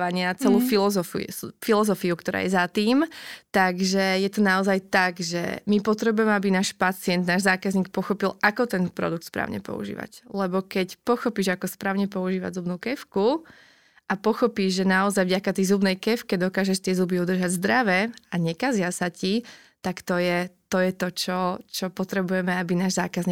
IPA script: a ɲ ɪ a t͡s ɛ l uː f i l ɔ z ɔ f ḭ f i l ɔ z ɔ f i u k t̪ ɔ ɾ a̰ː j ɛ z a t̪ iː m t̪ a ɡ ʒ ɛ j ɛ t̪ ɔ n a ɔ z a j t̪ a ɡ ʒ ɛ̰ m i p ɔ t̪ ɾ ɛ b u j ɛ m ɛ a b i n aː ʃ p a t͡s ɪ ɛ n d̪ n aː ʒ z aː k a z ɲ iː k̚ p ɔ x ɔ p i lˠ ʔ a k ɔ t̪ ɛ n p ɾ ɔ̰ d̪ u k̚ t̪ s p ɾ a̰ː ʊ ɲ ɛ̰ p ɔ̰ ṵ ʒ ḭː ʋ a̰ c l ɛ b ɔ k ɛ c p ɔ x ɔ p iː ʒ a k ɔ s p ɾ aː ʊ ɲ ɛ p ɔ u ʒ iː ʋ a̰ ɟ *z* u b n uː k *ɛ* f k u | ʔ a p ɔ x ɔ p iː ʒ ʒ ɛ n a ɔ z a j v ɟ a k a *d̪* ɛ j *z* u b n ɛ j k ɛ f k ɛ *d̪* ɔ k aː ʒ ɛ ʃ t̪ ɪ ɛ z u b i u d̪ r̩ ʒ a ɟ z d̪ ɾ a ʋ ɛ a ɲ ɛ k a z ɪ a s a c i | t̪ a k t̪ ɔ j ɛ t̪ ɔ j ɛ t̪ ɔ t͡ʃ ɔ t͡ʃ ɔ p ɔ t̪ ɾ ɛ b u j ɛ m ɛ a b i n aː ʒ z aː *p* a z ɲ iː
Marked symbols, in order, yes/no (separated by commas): yes, yes, no, yes, yes, no